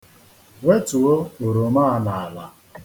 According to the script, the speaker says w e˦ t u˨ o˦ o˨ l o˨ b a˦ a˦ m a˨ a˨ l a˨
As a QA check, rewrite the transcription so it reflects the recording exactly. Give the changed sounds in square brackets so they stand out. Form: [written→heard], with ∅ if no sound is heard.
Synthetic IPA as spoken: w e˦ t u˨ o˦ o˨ [l→ɾ] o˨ [b→m] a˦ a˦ [m→n] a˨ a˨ l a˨